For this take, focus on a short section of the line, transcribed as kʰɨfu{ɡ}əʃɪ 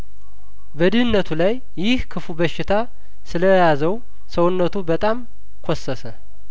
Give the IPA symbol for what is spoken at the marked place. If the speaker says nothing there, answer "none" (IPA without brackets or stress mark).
b